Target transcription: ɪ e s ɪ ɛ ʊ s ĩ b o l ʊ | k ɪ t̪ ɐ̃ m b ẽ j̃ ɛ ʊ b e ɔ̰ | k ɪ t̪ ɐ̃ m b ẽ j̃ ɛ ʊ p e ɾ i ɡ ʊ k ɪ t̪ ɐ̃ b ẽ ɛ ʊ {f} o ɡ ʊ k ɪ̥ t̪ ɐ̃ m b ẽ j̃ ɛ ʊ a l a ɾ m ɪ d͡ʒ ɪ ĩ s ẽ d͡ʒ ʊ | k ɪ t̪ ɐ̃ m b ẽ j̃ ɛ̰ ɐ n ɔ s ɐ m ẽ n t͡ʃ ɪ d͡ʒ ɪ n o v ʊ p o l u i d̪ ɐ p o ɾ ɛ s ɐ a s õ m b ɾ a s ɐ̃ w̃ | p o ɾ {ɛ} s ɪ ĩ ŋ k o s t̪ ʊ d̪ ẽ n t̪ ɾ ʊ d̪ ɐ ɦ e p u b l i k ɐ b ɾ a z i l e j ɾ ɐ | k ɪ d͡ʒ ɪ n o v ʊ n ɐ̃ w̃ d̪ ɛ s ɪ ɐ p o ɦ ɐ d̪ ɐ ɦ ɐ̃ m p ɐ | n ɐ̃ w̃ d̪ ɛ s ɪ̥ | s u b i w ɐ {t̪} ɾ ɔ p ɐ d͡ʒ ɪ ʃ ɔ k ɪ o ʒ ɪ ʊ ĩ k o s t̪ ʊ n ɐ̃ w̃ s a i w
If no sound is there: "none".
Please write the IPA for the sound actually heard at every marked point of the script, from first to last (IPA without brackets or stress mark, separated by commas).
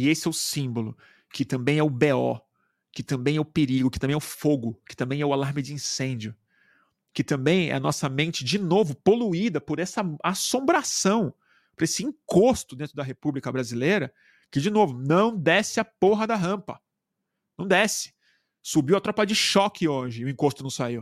f, e, t̪